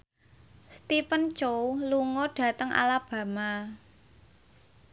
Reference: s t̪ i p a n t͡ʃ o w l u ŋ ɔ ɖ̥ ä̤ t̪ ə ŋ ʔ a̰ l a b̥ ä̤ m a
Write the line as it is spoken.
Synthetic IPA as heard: s t̪ i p ə n t͡ʃ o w l u ŋ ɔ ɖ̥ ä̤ t̪ ə ŋ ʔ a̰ l a b̥ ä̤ m a